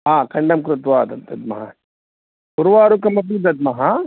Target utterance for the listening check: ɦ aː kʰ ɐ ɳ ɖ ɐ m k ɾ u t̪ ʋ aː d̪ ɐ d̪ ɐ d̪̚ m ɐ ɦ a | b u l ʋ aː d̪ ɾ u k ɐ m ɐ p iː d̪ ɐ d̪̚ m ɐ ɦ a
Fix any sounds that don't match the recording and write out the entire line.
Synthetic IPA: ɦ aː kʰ ɐ ɳ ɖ ɐ m k ɾ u t̪ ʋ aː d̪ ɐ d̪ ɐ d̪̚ m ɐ ɦ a | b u ɾ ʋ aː ɾ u k ɐ m ɐ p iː d̪ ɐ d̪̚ m ɐ ɦ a